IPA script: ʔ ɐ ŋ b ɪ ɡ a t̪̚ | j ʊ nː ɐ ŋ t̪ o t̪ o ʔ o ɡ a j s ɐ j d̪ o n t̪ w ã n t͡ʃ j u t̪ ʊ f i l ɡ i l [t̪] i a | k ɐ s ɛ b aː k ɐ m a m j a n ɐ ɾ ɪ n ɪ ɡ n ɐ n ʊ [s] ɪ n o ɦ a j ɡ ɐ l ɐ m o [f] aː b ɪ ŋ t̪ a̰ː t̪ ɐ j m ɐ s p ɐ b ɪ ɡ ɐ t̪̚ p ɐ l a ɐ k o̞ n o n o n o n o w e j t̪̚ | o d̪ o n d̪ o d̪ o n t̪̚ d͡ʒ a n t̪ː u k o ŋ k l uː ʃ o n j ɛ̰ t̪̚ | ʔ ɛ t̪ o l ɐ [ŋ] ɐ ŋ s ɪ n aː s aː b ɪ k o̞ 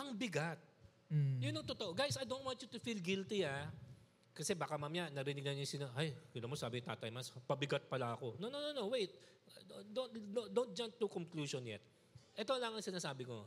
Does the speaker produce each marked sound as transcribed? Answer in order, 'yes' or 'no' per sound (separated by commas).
yes, yes, no, yes